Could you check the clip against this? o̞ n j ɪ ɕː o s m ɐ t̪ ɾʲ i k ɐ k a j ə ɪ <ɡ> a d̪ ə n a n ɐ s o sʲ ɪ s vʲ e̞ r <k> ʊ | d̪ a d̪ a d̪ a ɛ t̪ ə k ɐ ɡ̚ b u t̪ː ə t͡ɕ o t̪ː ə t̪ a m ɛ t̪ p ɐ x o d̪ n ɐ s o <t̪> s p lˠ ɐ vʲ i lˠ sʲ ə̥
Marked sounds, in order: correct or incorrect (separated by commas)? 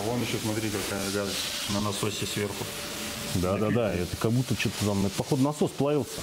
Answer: correct, incorrect, incorrect